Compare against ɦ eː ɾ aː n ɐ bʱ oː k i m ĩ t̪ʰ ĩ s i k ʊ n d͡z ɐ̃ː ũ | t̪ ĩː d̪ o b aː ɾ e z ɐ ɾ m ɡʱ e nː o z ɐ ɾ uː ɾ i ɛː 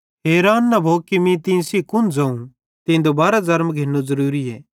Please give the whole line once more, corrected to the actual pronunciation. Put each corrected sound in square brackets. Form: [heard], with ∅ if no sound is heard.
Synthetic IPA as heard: ɦ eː ɾ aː [nː] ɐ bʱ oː k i m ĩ [t̪] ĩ s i k ʊ n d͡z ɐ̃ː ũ | t̪ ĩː d̪ o b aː ɾ [a] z ɐ ɾ m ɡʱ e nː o z ɐ ɾ uː ɾ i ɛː